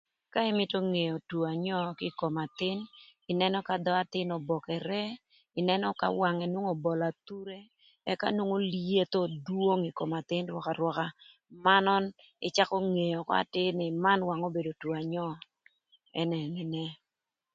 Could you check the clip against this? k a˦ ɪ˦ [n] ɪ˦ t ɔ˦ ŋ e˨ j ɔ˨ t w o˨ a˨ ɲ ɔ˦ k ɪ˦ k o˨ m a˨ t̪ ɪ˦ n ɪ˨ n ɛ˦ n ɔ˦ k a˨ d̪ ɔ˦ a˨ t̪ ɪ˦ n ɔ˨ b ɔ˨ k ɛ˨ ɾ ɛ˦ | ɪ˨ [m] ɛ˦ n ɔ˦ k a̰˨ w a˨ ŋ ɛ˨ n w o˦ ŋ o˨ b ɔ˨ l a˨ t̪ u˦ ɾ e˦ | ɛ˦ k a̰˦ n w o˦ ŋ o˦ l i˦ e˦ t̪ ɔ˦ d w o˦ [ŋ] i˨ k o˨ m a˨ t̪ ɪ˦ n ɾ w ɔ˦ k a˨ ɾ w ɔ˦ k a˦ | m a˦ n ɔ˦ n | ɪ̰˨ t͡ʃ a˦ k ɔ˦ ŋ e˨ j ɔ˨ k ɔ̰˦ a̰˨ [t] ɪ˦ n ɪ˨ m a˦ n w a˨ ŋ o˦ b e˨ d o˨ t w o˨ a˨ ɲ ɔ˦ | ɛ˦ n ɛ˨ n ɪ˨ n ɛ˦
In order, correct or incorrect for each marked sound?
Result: incorrect, incorrect, correct, correct

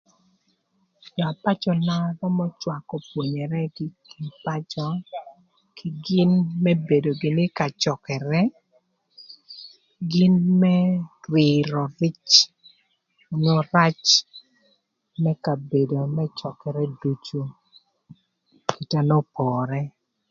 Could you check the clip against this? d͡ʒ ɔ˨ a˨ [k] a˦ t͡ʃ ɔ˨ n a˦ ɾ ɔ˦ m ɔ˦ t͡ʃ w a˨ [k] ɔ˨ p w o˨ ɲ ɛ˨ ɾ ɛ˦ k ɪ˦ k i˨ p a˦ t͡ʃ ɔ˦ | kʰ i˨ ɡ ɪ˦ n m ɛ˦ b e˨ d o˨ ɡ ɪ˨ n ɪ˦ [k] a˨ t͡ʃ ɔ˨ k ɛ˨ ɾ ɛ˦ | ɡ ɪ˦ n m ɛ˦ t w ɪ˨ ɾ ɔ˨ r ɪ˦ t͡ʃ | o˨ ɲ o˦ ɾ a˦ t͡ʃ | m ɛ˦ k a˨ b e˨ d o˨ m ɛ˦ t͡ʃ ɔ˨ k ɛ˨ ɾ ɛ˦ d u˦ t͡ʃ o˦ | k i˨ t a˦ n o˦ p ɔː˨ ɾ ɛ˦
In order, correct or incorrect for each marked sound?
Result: incorrect, correct, correct

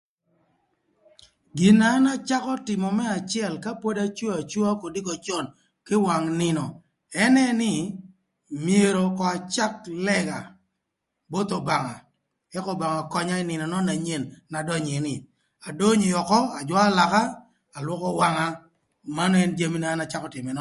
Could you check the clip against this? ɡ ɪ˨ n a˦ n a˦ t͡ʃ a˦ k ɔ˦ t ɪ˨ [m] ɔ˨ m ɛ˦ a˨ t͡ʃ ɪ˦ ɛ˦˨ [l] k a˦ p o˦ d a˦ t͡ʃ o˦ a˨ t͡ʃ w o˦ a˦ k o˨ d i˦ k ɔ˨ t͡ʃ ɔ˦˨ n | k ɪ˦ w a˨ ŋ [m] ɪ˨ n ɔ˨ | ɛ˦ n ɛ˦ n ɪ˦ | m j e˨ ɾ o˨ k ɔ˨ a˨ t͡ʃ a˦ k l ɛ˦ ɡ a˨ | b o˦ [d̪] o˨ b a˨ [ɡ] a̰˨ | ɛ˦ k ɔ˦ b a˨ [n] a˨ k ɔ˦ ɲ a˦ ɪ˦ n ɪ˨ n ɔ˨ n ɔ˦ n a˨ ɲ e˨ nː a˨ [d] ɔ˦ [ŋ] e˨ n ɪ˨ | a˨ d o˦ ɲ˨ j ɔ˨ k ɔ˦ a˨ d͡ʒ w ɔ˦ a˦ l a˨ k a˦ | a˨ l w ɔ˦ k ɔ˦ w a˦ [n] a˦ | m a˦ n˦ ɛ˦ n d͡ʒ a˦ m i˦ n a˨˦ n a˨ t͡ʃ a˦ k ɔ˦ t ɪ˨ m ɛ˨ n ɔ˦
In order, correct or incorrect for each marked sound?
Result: correct, correct, incorrect, incorrect, incorrect, incorrect, correct, incorrect, incorrect

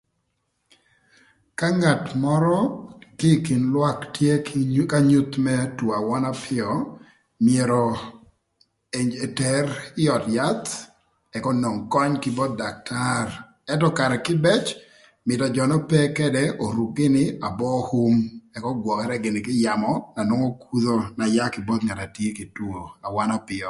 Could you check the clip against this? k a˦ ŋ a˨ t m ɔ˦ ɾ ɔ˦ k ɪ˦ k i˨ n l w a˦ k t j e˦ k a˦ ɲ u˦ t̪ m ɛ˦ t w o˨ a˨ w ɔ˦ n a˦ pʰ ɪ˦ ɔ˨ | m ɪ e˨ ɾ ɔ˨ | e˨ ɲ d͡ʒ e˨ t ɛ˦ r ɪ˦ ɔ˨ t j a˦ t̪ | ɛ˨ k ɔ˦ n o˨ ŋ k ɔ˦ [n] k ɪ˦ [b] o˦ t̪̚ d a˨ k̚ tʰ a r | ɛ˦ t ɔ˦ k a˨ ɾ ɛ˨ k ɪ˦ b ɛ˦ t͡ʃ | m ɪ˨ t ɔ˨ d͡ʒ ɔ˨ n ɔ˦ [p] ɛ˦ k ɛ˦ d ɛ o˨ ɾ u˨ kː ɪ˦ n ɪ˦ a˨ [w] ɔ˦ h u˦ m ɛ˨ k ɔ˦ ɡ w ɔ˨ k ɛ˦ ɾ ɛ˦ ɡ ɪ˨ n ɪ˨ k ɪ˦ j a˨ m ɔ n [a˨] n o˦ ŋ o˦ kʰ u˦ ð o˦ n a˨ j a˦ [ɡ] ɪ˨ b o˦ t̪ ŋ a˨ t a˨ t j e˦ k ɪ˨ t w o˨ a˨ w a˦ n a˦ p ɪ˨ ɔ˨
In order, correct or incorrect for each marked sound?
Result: incorrect, correct, correct, incorrect, correct, incorrect

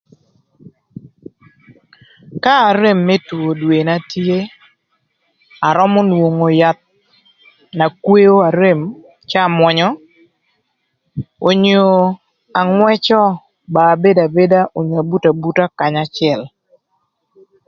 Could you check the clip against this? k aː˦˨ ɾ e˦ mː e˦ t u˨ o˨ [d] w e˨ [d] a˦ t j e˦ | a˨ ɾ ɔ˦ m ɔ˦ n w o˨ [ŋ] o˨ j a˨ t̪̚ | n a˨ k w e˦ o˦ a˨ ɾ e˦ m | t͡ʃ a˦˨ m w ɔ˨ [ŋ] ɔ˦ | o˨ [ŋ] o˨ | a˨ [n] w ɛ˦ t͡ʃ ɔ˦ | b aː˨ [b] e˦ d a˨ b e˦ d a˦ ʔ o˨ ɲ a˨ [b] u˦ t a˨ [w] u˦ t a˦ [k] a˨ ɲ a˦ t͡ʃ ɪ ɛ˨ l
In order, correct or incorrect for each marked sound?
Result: correct, incorrect, correct, incorrect, incorrect, incorrect, correct, correct, incorrect, correct

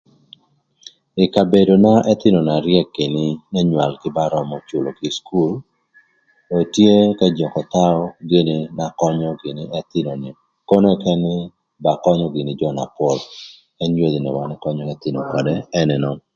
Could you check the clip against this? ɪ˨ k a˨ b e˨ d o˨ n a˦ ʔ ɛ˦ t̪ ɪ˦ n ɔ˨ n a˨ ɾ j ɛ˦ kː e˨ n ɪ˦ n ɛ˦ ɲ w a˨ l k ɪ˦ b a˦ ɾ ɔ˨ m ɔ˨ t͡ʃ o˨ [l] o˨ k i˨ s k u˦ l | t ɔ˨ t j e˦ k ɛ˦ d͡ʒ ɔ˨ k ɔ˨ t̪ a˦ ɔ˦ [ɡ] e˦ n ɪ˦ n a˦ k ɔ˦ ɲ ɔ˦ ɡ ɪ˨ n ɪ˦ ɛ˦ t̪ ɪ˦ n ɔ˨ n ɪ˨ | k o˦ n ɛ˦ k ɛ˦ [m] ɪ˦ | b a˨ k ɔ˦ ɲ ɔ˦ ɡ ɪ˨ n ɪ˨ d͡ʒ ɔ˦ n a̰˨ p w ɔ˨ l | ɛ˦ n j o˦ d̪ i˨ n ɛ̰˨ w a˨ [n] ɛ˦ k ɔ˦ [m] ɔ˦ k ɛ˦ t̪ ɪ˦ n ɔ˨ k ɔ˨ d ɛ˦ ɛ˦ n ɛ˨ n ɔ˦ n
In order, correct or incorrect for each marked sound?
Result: correct, correct, incorrect, correct, incorrect

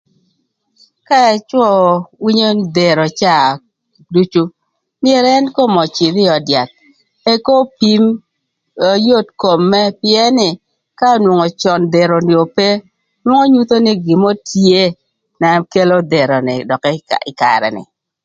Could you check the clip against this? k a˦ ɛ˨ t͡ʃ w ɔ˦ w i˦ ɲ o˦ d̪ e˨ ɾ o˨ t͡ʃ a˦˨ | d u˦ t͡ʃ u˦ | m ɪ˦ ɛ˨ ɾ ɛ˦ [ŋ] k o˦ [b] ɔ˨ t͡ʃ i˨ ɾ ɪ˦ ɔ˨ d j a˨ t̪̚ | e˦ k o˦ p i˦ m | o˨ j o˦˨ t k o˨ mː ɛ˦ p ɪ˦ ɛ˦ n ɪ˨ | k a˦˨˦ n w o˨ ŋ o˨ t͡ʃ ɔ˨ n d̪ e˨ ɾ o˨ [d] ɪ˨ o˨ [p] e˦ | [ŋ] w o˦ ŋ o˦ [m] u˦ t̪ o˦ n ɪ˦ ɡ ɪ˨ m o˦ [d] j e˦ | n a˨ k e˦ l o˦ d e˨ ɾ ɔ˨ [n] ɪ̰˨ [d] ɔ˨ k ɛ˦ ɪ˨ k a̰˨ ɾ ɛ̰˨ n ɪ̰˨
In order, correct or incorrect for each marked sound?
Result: incorrect, incorrect, incorrect, correct, incorrect, incorrect, incorrect, correct, correct

